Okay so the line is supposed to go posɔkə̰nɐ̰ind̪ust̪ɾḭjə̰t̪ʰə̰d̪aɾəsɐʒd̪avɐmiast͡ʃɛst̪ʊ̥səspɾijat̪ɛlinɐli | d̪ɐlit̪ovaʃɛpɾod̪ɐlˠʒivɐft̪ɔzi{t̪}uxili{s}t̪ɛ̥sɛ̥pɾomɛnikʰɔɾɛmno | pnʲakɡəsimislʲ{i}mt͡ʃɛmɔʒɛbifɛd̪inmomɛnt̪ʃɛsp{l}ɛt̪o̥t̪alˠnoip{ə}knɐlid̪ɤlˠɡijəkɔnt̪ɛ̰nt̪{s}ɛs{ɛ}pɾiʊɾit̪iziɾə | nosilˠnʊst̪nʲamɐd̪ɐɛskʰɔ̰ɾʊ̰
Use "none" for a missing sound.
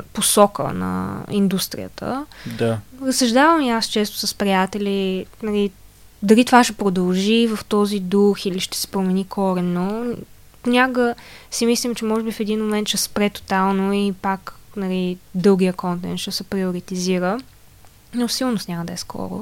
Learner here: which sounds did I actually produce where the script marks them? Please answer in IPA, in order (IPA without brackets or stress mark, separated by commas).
d̪, ʃ, i, ɾ, a, ʃ, ɛ